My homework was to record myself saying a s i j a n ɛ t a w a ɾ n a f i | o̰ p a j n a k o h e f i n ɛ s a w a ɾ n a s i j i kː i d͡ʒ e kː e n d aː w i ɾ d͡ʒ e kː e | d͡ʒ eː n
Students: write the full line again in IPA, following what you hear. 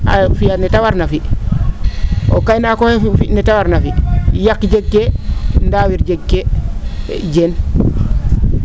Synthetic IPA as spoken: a f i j a n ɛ t a w a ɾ n a f i | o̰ k a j n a k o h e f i n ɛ t a w a ɾ n a f i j a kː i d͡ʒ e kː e n d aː w i ɾ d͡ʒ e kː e | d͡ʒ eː n